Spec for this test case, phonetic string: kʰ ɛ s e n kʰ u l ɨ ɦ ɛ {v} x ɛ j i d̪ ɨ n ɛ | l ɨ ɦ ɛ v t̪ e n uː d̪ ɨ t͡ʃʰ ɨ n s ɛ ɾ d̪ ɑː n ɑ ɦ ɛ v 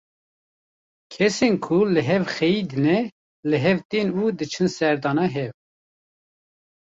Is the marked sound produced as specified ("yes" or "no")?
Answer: yes